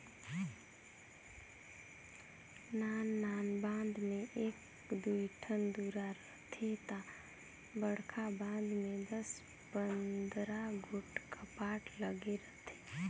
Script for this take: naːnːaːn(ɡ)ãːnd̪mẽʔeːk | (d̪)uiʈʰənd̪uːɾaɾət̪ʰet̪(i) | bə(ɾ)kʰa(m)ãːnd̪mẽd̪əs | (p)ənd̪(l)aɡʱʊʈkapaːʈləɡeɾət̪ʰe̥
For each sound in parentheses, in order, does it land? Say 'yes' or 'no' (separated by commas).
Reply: no, yes, no, no, no, yes, no